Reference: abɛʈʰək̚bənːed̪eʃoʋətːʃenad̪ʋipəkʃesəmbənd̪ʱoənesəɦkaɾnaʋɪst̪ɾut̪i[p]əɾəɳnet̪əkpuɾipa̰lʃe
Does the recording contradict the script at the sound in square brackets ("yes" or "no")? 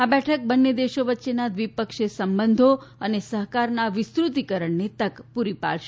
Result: yes